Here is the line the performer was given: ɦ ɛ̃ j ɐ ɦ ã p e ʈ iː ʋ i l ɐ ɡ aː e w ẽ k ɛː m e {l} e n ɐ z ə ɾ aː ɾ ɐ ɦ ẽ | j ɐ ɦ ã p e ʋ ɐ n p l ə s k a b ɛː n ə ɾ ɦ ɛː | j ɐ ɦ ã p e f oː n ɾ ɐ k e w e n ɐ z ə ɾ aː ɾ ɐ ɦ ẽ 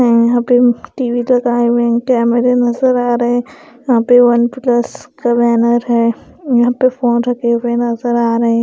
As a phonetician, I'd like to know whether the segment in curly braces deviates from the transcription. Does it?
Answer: yes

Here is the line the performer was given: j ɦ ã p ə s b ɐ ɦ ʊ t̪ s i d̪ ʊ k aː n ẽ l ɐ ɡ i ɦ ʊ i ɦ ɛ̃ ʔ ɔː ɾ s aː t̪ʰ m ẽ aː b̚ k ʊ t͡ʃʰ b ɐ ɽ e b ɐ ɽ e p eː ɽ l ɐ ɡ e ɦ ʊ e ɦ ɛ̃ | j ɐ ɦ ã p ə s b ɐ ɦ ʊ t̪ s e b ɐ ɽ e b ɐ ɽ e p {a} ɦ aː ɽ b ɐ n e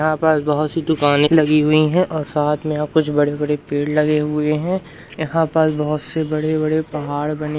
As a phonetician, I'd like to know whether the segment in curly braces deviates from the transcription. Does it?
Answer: yes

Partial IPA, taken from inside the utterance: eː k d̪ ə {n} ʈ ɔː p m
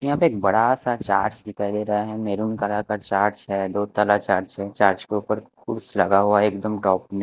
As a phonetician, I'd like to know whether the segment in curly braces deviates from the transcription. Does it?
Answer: yes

